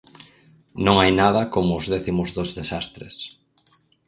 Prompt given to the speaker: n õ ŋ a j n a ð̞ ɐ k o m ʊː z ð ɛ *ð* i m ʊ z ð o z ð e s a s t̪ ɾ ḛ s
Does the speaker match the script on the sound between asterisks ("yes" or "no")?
no